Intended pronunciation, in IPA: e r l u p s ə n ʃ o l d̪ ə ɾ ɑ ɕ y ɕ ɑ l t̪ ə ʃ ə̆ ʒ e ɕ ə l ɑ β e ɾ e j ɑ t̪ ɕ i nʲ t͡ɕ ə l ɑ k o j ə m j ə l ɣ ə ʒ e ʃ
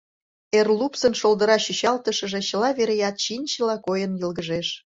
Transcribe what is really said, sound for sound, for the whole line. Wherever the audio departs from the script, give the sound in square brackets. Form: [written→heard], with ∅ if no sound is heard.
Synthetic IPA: e r l u p s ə n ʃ o l d̪ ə ɾ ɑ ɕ y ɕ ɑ l t̪ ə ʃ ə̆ ʒ e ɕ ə l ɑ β e ɾ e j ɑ t̪ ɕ i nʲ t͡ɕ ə l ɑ k o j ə [m→n] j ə l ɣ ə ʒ e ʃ